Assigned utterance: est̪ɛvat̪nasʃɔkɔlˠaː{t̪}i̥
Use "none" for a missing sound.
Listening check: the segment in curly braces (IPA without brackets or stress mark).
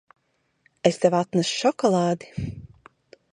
d̪